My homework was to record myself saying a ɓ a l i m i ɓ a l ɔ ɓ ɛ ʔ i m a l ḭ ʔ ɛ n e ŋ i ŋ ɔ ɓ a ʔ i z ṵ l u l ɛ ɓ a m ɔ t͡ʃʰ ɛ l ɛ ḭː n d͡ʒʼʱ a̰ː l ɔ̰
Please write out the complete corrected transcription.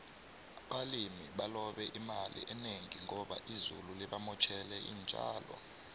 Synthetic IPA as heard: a ɓ a l i m i ɓ a l ɔ ɓ ɛ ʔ i m a l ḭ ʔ ɛ n e ŋ i ŋ ɔ ɓ a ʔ i z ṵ l u l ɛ ɓ a m ɔ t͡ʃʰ ɛ l ɛ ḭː n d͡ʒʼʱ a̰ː l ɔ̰